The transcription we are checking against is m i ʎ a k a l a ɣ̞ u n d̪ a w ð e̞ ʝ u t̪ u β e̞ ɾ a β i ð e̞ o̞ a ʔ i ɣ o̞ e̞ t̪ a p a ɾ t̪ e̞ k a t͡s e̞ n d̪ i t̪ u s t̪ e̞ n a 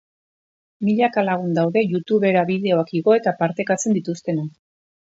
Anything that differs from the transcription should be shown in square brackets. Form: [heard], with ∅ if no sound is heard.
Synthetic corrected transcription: m i ʎ a k a l a ɣ̞ u n d̪ a w ð e̞ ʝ u t̪ u β e̞ ɾ a β i ð e̞ o̞ a [k] i ɣ o̞ e̞ t̪ a p a ɾ t̪ e̞ k a t͡s e̞ n d̪ i t̪ u s t̪ e̞ n a